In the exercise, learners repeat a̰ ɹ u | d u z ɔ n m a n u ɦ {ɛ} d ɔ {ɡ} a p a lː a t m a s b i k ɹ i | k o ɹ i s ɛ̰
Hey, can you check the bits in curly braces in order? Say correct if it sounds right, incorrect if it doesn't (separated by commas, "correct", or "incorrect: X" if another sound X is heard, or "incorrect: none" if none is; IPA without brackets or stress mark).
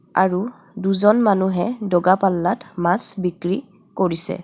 correct, correct